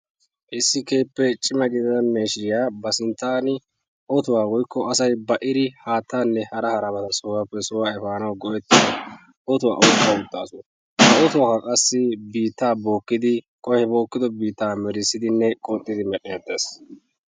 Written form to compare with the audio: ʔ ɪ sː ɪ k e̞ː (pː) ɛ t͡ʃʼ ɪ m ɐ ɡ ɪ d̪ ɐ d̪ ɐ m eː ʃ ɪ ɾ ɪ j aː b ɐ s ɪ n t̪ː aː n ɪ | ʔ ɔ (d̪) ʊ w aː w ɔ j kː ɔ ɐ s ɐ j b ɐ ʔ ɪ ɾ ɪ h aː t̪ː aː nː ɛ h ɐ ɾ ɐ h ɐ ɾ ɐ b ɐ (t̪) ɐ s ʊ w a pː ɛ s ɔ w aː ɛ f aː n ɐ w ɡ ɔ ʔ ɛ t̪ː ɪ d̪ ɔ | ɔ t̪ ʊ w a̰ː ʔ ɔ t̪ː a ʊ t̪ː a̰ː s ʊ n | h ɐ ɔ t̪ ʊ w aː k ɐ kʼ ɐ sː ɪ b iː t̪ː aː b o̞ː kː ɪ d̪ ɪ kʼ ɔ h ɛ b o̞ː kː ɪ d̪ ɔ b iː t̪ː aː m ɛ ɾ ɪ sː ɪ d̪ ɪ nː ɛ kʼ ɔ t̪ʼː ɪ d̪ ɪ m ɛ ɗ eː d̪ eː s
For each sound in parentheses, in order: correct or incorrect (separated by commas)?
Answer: correct, incorrect, correct